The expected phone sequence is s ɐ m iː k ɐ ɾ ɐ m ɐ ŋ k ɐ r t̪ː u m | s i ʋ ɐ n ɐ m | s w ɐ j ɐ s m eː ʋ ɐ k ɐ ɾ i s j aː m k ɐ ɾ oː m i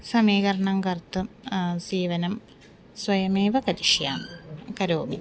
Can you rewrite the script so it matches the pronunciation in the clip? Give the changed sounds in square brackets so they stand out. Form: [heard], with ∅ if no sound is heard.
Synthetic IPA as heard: s ɐ m iː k ɐ ɾ ɐ [ɳ] ɐ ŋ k ɐ r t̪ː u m | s [iː] ʋ ɐ n ɐ m | s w ɐ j ɐ [∅] m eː ʋ ɐ k ɐ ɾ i [ʂ] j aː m k ɐ ɾ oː m i

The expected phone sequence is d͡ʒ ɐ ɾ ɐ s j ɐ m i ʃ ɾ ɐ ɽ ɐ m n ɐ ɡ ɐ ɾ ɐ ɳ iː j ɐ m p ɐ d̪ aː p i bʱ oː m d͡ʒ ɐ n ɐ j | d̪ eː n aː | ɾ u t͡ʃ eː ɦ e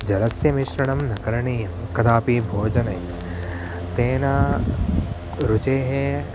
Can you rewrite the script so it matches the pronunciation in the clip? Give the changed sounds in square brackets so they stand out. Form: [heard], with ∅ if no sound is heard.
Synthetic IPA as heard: d͡ʒ ɐ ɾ ɐ s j ɐ m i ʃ ɾ ɐ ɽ ɐ m n ɐ [k] ɐ ɾ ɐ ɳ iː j ɐ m [k] ɐ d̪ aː p i bʱ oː [∅] d͡ʒ ɐ n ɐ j | [t̪] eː n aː | ɾ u t͡ʃ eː ɦ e

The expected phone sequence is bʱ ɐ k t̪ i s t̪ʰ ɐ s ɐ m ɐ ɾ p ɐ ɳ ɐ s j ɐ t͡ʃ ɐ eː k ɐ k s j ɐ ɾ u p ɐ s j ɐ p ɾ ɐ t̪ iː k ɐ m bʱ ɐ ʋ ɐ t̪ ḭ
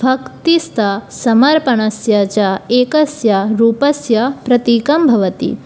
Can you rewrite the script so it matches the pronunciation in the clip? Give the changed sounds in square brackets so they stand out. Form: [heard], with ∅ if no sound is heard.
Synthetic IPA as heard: bʱ ɐ k t̪ i s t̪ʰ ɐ s ɐ m ɐ ɾ p ɐ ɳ ɐ s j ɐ t͡ʃ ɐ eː k ɐ [∅] s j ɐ ɾ [uː] p ɐ s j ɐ p ɾ ɐ t̪ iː k ɐ m bʱ ɐ ʋ ɐ t̪ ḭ

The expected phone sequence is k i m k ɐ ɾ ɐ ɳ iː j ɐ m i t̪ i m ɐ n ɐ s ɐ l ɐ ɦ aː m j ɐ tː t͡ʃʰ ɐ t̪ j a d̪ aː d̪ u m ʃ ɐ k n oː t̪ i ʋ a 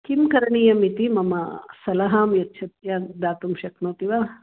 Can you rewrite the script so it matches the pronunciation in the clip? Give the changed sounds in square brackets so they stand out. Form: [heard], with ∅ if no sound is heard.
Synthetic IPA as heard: k i m k ɐ ɾ ɐ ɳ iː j ɐ m i t̪ i m ɐ [m] ɐ s ɐ l ɐ ɦ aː m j ɐ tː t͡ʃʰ ɐ t̪ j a d̪ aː [t̪] u m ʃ ɐ k n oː t̪ i ʋ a

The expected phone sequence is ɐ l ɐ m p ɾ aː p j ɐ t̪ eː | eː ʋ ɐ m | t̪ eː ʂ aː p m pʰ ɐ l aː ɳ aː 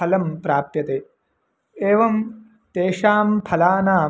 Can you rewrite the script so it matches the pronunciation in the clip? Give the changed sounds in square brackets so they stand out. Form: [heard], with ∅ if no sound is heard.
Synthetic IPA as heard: ɐ l ɐ m p ɾ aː p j ɐ t̪ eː | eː ʋ ɐ m | t̪ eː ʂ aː [∅] m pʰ ɐ l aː [n] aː

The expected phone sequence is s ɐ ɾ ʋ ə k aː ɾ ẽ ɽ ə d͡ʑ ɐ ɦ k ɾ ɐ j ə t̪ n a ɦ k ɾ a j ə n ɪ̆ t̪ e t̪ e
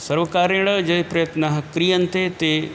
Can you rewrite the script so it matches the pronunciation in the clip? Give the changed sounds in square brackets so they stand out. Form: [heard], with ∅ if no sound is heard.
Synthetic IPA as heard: s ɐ ɾ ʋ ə k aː ɾ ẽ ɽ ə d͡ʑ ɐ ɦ [p] ɾ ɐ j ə t̪ n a ɦ k ɾ [i] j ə n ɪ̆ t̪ e t̪ e

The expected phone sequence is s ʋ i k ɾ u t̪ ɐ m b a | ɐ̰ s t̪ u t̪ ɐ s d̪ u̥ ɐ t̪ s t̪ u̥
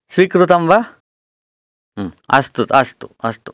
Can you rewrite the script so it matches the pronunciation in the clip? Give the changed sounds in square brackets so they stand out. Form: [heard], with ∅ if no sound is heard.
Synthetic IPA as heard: s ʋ i k ɾ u t̪ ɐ m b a | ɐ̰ s t̪ u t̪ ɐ s [t̪] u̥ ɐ [∅] s t̪ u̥

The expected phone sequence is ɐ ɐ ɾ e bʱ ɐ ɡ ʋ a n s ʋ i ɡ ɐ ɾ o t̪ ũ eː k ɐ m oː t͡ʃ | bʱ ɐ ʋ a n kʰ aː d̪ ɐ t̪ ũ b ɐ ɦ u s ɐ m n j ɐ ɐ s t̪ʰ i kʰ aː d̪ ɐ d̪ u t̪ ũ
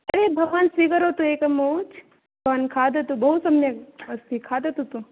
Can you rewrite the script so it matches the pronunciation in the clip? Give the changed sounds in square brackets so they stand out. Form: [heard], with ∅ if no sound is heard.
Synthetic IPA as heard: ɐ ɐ ɾ e bʱ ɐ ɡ ʋ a n s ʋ i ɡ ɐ ɾ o t̪ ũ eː k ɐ m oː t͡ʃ | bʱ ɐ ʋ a n kʰ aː d̪ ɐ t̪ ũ b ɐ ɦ u s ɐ m n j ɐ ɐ s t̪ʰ i kʰ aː d̪ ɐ [t̪] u t̪ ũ

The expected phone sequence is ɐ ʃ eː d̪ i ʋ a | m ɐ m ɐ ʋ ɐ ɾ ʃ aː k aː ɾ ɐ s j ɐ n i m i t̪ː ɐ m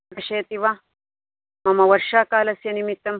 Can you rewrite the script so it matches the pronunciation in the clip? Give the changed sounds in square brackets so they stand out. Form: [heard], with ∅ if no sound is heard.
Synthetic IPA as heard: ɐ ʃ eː [t̪] i ʋ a | m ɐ m ɐ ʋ ɐ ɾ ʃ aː k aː [l] ɐ s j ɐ n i m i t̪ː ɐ m

